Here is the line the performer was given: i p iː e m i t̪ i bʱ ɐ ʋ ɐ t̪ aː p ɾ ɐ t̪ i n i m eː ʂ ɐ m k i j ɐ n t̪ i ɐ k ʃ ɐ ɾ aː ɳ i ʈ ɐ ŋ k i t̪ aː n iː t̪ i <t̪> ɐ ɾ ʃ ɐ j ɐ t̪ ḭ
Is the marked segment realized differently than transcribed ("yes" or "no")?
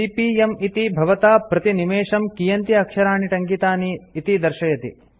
yes